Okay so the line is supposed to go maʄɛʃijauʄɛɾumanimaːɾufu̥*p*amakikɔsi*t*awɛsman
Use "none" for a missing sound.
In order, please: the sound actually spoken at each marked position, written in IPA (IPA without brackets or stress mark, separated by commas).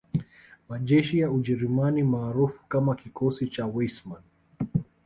k, t͡ʃ